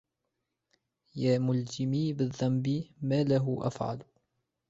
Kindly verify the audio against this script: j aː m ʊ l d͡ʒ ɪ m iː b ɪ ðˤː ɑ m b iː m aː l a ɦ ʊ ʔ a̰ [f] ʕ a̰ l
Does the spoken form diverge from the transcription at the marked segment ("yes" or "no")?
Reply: no